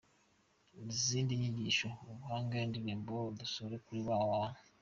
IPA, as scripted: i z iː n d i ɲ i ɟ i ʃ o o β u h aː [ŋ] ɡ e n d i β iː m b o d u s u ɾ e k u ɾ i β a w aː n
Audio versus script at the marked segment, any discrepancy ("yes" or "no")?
no